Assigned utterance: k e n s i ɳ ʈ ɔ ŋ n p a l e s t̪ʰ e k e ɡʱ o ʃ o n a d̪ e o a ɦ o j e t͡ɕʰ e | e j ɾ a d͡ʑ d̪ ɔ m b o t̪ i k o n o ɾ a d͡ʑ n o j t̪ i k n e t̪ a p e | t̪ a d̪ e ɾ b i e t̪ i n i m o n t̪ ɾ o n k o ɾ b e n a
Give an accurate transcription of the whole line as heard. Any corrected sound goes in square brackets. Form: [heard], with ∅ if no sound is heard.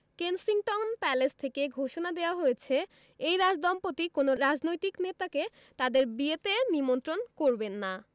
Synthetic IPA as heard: k e n s i [ŋ] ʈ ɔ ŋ n p [ɛ] l e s t̪ʰ e k e ɡʱ o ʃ o n a d̪ e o a ɦ o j e t͡ɕʰ e | e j ɾ a d͡ʑ d̪ ɔ m [p] o t̪ i k o n o ɾ a d͡ʑ n o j t̪ i k n e t̪ a [k] e | t̪ a d̪ e ɾ b i e t̪ [e] n i m o n t̪ ɾ o n k o ɾ b e [nː] a